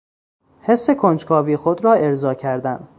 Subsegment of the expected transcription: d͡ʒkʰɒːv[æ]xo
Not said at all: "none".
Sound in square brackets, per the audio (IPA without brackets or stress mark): i